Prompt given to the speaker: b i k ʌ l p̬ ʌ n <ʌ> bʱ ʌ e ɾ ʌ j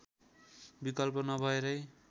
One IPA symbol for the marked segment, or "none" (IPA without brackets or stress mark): ʌ